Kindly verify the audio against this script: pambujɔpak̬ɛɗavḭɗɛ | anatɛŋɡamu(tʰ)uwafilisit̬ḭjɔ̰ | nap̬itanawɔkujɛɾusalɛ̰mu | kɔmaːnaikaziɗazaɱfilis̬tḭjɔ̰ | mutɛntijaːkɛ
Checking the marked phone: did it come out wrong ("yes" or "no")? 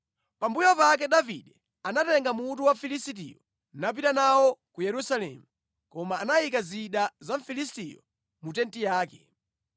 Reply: yes